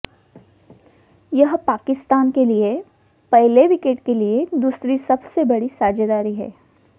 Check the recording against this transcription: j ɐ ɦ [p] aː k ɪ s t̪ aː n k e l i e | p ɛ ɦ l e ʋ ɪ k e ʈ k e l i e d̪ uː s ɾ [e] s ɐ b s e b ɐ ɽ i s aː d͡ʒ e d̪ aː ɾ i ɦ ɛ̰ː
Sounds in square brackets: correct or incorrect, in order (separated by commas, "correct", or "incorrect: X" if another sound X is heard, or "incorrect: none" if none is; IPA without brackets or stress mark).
correct, incorrect: i